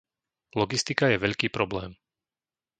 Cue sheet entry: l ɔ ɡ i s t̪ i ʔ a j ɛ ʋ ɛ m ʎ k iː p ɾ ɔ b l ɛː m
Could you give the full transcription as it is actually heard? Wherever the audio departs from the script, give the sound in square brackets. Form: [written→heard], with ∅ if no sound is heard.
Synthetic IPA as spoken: l ɔ ɡ i s t̪ i [ʔ→k] a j ɛ ʋ ɛ [m→∅] ʎ k iː p ɾ ɔ b l ɛː m